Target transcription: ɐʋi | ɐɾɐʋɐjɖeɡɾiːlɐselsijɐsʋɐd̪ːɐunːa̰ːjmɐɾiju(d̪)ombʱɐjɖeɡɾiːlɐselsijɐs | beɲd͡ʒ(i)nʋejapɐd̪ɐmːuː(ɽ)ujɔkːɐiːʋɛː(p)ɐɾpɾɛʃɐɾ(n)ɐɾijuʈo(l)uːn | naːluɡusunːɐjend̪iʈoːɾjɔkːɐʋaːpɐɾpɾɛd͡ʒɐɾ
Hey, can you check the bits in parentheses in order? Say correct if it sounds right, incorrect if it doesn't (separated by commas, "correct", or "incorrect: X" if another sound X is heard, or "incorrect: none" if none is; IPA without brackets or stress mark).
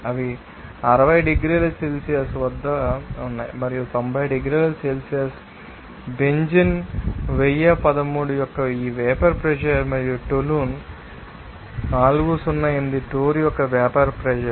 incorrect: t̪, correct, correct, correct, incorrect: m, correct